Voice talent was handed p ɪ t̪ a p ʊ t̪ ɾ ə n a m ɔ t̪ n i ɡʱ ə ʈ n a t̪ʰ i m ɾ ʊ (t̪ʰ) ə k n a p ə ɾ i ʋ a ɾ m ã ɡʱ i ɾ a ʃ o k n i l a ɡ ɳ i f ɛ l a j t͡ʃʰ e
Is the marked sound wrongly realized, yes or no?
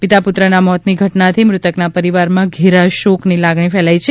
yes